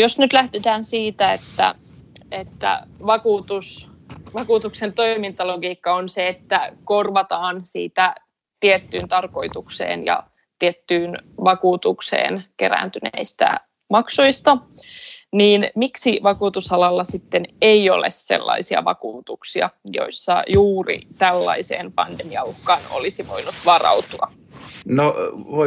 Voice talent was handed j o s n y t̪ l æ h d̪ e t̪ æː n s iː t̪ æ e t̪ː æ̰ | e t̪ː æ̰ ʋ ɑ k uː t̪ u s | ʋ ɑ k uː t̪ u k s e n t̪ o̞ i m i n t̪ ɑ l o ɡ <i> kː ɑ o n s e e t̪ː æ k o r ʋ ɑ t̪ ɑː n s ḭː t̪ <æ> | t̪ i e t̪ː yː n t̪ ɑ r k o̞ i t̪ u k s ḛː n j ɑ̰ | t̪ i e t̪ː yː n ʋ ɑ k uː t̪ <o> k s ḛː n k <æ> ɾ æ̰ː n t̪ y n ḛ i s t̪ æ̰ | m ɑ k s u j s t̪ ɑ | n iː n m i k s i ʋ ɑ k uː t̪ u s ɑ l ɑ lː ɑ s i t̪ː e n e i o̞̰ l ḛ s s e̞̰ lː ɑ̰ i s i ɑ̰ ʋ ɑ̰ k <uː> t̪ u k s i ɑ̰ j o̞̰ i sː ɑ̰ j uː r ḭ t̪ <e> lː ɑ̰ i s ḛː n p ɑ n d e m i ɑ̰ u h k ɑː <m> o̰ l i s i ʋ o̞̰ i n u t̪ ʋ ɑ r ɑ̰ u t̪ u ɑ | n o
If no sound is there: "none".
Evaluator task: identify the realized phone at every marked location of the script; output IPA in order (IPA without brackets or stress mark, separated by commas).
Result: iː, æ, u, e, uː, æ, n